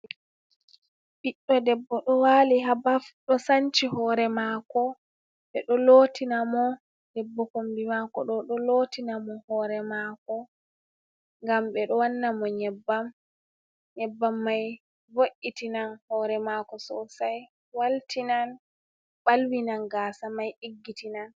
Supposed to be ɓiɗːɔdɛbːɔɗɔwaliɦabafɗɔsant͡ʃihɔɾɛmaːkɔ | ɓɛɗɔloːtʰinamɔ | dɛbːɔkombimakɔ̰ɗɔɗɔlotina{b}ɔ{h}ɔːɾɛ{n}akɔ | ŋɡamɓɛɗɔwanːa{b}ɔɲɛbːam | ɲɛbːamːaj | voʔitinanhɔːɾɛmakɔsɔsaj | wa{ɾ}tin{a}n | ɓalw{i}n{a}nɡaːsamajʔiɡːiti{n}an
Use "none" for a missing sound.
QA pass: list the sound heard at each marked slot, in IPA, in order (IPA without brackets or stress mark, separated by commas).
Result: m, h, m, m, l, a, i, a, n